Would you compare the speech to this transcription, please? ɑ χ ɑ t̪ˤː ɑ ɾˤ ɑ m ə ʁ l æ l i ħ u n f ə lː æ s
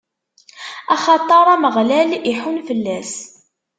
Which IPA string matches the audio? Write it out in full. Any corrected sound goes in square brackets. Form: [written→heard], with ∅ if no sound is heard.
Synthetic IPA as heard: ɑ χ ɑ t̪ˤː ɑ ɾˤ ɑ m ə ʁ l æ l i ħ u n f ə lː æ s